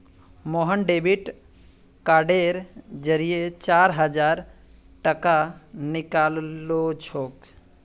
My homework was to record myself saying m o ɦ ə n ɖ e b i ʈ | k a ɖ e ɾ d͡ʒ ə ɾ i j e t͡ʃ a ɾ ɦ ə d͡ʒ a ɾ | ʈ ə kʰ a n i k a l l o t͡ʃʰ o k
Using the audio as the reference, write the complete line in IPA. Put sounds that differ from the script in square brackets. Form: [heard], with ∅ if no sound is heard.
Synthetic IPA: m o ɦ ə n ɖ e b i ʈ | k a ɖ e ɾ d͡ʒ ə ɾ i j e t͡ʃ a ɾ ɦ ə d͡ʒ a ɾ | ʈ ə [k] a n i k a l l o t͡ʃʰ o k